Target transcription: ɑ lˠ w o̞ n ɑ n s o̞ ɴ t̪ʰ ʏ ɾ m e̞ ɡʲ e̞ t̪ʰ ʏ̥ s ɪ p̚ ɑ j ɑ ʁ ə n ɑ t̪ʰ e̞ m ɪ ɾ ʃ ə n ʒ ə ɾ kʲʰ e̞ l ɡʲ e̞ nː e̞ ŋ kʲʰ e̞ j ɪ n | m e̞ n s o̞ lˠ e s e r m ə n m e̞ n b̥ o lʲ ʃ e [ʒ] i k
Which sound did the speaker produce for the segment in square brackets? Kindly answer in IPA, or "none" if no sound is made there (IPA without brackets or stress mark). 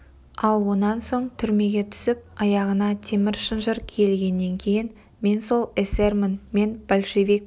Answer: v